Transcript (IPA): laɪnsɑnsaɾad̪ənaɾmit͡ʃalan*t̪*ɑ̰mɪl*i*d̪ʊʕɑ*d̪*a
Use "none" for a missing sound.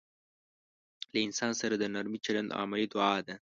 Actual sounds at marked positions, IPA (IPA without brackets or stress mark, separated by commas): d̪, i, d̪